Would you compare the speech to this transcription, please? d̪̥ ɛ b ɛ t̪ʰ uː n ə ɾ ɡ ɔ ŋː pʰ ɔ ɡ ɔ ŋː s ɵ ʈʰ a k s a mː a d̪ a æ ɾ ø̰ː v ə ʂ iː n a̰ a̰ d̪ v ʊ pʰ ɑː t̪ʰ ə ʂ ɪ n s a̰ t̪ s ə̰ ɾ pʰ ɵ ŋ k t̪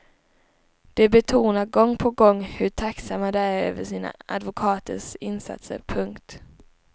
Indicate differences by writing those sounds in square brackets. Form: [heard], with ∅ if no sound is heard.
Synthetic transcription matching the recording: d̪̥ ɛ b ɛ t̪ʰ uː n [a] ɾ ɡ ɔ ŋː pʰ ɔ ɡ ɔ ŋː [h] ɵ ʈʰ a k s a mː a d̪ [ɛ] æ ɾ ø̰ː v ə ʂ iː n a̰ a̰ d̪ v ʊ [kʰ] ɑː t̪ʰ ə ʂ ɪ n s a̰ t̪ s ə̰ ɾ pʰ ɵ ŋ k t̪